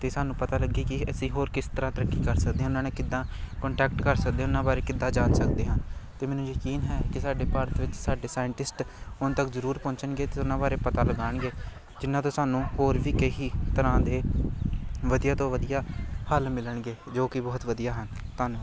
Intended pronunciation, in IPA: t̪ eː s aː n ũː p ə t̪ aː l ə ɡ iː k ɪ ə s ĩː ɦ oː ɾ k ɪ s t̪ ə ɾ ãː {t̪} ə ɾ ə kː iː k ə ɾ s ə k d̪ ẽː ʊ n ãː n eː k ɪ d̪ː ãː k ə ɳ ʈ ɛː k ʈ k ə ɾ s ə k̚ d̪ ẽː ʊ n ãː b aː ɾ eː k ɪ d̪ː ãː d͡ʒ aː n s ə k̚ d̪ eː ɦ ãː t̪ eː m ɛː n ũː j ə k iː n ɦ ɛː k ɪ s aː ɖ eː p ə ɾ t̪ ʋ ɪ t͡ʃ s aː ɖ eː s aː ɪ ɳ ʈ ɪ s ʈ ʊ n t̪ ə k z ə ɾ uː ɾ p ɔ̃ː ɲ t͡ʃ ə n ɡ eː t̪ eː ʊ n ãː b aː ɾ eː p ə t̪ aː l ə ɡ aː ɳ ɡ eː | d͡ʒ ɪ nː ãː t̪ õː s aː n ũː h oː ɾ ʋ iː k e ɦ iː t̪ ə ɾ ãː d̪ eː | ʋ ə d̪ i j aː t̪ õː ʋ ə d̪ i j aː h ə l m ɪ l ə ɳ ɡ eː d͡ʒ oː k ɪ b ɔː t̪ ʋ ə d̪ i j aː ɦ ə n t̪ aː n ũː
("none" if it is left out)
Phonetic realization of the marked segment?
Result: t̪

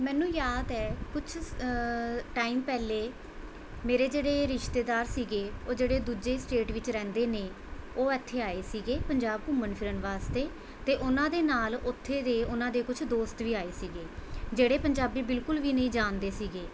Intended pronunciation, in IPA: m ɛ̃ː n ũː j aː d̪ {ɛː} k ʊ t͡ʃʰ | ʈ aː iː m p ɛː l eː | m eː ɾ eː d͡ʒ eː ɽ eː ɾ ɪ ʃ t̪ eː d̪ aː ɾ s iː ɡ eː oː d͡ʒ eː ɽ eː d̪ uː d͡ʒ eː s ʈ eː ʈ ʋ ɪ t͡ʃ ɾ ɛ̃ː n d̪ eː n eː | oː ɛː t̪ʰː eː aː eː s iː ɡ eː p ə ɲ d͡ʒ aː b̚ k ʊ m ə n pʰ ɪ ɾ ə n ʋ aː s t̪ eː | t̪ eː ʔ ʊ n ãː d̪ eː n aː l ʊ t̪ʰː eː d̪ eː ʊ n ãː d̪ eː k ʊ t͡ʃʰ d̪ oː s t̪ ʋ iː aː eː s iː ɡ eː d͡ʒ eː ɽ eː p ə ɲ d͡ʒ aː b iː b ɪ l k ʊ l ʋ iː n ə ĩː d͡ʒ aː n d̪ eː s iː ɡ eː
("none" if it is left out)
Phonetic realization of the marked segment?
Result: ɛː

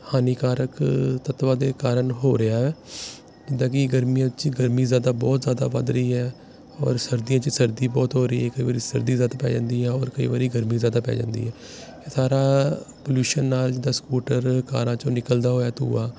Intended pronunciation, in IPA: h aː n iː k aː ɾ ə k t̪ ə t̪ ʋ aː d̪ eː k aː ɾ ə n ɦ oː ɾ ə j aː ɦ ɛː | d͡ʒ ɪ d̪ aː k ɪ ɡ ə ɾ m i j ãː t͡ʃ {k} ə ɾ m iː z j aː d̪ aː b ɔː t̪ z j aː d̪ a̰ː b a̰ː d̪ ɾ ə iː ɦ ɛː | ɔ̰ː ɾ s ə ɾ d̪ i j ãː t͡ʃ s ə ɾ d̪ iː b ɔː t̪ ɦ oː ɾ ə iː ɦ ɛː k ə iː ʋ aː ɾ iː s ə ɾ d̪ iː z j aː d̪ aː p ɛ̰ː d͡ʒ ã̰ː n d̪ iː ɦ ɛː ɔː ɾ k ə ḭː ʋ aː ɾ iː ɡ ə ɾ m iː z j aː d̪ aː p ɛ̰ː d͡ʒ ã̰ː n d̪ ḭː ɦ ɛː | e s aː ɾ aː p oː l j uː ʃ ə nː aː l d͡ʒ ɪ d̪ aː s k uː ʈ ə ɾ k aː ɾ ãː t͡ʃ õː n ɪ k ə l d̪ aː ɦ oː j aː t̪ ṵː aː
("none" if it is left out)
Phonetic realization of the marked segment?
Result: ɡ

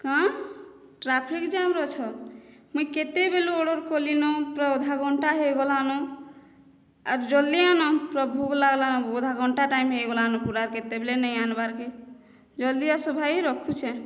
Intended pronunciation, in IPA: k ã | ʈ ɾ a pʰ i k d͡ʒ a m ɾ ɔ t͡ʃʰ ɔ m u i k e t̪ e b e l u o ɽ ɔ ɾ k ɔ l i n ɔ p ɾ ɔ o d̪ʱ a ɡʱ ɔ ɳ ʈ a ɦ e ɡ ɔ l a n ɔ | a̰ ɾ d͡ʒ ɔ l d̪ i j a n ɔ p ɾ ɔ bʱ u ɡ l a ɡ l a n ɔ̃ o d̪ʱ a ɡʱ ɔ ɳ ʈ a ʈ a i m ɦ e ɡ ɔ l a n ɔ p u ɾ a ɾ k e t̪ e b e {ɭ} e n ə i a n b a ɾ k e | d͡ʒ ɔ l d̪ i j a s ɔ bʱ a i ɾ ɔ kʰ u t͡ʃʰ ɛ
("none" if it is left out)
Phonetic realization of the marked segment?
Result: l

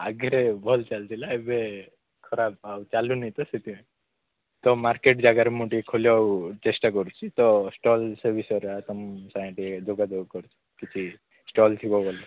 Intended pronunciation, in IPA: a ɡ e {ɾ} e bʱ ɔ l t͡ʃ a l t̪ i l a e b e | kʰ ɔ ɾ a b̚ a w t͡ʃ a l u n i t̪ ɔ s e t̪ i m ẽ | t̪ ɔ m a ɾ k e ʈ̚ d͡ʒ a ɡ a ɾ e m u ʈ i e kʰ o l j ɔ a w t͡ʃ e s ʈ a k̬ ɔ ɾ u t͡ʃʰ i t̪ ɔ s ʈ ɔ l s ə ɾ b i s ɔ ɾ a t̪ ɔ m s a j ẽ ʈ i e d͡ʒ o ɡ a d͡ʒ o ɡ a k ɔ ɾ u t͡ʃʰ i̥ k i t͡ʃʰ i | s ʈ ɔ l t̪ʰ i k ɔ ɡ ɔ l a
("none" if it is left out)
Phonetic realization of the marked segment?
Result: ɾ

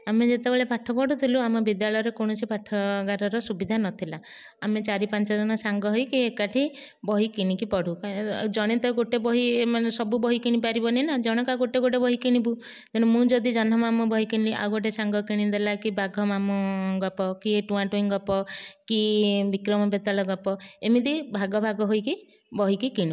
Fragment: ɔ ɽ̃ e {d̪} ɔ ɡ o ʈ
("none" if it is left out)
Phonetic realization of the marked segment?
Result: t̪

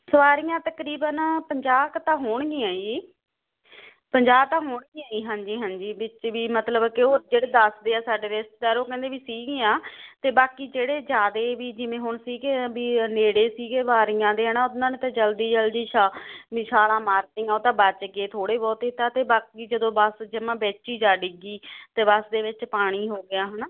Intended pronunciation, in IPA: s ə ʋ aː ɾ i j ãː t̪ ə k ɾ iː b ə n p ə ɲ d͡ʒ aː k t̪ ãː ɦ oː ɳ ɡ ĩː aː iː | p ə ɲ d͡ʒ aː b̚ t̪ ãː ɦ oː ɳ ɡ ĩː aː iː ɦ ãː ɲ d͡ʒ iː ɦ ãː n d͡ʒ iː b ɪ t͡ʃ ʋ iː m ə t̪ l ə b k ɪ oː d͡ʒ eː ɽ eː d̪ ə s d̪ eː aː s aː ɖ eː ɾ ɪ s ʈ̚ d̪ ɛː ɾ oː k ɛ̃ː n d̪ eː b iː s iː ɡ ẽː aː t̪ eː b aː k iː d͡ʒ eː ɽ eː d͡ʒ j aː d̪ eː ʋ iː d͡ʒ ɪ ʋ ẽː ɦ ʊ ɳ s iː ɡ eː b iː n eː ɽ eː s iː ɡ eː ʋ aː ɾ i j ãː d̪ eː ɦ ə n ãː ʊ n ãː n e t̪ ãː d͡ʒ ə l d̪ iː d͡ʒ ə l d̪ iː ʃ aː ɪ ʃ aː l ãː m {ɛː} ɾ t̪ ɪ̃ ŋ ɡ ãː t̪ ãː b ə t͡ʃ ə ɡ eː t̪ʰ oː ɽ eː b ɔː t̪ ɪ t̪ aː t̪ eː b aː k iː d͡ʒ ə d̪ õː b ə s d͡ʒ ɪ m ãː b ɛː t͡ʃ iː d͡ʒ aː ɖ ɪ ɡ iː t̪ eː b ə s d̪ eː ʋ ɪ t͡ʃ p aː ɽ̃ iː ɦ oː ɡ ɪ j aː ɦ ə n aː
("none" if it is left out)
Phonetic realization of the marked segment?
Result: aː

